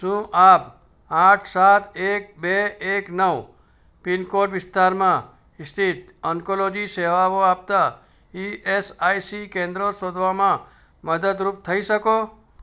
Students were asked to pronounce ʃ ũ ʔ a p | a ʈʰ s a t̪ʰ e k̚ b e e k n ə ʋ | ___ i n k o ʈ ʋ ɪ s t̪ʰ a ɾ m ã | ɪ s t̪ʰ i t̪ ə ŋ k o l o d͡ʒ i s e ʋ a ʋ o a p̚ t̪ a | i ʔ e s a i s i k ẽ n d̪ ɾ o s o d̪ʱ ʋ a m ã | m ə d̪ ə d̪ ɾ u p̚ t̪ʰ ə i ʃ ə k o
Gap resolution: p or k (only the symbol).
p